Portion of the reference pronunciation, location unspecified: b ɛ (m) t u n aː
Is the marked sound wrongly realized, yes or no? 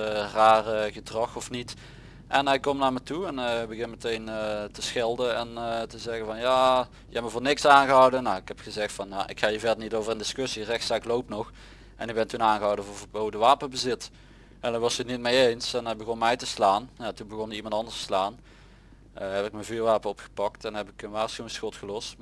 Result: yes